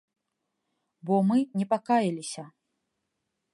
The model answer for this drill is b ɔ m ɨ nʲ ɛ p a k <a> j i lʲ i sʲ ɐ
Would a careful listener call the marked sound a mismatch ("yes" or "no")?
no